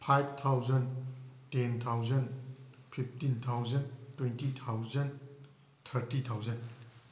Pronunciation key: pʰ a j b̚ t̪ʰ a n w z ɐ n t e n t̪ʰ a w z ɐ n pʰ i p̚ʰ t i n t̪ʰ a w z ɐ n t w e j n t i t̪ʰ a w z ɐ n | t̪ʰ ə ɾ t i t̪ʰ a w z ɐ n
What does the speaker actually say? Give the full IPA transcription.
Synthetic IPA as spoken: pʰ a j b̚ t̪ʰ a w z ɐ n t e n t̪ʰ a w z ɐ n pʰ i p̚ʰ t i n t̪ʰ a w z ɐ n t w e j n t i t̪ʰ a w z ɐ n | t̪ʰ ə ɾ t i t̪ʰ a w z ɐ n